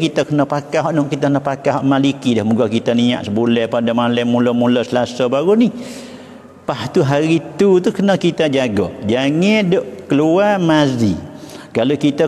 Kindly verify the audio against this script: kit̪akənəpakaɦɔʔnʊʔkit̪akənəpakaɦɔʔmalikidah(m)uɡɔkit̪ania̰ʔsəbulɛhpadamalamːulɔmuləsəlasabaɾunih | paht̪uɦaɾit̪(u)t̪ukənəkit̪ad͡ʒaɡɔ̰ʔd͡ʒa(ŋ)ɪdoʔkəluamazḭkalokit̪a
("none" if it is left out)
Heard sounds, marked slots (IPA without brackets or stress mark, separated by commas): m, u, ŋ